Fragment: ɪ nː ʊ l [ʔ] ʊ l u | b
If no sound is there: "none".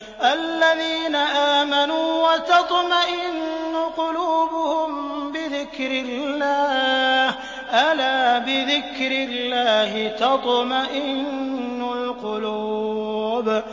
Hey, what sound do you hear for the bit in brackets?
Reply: q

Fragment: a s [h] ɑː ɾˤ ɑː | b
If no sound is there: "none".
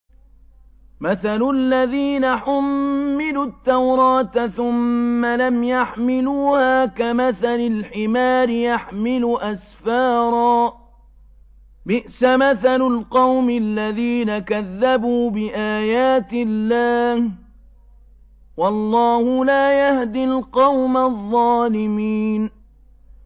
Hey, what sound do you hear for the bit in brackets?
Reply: f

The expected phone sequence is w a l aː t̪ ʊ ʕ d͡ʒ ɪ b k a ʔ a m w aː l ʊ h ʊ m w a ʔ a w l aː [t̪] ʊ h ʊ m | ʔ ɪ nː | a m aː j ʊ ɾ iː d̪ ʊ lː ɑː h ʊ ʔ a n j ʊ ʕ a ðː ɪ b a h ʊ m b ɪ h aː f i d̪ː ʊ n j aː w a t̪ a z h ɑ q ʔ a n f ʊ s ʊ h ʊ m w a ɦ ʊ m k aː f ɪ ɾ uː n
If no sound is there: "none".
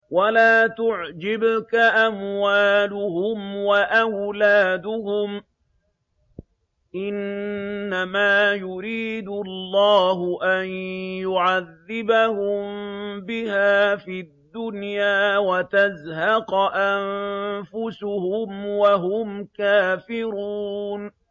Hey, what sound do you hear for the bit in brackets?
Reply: d̪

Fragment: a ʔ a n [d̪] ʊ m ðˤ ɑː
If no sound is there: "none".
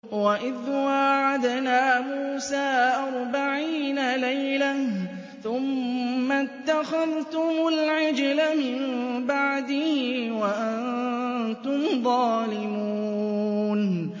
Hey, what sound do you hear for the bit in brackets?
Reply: t̪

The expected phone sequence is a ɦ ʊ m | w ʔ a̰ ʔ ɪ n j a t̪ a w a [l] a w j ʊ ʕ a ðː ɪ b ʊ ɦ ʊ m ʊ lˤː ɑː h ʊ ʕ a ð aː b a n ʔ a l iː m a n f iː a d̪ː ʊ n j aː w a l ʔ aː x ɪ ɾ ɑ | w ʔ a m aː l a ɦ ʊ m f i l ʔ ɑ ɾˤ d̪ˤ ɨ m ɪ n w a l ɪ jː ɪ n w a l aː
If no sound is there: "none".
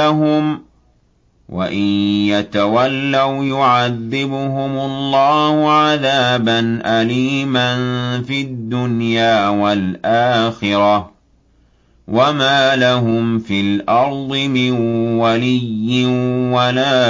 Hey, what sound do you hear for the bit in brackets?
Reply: lː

